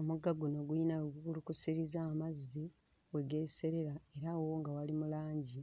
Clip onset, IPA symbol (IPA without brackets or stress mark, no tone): o